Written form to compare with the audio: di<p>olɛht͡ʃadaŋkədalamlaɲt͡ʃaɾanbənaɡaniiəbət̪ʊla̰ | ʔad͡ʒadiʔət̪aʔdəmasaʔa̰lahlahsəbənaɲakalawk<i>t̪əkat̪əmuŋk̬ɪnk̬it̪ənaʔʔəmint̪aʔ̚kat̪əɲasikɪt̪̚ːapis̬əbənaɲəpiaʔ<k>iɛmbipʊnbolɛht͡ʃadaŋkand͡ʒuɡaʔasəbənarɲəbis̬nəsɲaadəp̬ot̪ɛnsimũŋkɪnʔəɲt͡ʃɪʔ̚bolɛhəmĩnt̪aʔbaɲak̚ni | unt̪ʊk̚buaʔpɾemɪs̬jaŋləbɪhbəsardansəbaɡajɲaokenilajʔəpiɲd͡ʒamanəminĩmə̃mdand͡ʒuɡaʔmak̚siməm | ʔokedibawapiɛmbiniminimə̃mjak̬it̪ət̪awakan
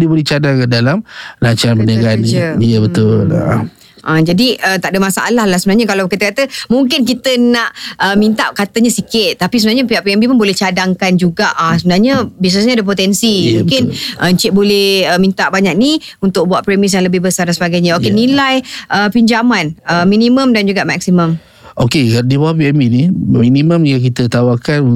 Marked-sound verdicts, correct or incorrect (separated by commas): incorrect, correct, incorrect